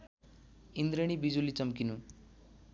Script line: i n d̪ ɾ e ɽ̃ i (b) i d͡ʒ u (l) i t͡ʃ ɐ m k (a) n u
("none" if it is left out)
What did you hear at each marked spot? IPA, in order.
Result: b, l, i

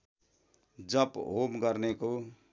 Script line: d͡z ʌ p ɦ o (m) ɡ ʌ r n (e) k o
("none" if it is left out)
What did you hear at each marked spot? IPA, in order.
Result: m, e

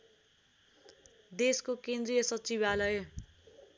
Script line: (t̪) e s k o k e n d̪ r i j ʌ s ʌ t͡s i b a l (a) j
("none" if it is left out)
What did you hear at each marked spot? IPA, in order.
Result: d̪, ʌ

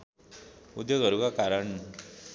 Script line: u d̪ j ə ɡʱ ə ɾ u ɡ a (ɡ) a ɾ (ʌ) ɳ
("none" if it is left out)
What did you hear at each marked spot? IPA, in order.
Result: k, ə

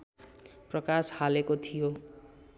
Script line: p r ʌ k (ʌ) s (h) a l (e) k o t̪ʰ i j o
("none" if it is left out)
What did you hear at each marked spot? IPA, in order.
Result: a, h, e

